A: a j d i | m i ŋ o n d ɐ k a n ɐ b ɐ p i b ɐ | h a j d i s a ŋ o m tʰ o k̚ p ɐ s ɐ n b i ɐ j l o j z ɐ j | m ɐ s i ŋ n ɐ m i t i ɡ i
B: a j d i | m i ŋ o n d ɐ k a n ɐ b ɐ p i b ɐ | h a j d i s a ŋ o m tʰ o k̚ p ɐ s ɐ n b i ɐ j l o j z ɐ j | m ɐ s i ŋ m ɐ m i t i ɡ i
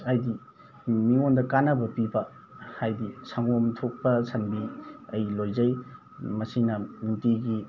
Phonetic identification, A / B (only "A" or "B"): A